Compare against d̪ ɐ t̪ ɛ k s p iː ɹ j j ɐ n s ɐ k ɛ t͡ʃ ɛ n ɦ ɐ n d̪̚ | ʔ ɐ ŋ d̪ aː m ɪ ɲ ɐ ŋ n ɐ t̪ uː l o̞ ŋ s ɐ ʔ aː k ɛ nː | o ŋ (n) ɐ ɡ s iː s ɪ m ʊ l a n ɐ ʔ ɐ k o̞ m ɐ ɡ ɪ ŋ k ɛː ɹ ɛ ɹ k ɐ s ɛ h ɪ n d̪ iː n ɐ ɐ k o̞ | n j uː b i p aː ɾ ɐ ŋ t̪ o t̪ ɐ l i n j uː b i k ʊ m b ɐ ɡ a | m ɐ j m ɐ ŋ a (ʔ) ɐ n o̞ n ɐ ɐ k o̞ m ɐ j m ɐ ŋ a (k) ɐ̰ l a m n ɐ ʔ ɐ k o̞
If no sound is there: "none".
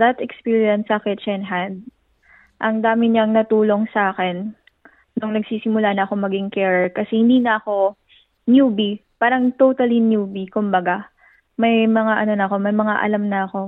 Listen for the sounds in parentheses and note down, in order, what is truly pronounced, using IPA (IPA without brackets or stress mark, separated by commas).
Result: n, ʔ, ʔ